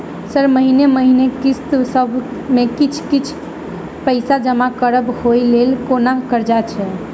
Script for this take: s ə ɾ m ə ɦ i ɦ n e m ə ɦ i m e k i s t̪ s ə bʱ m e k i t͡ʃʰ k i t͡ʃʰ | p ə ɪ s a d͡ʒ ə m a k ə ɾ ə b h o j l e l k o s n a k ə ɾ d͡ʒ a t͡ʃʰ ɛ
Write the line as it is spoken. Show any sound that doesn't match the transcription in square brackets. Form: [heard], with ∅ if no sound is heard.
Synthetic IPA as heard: s ə ɾ m ə ɦ i [∅] n e m ə ɦ i [n] e k i s t̪ s ə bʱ m e k i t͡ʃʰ k i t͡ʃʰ | p ə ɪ s a d͡ʒ ə m a k ə ɾ ə b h o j l e l k o [∅] n a k ə ɾ d͡ʒ a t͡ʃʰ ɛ